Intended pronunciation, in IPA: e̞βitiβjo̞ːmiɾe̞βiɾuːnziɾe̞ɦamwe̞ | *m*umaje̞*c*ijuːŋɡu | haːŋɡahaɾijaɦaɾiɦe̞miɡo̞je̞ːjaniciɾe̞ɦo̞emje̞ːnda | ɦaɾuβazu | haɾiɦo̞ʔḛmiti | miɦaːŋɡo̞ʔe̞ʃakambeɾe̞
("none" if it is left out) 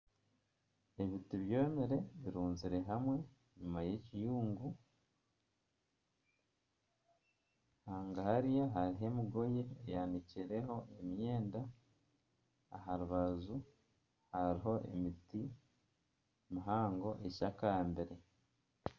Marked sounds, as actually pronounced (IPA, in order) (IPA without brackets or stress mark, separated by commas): ɲ, c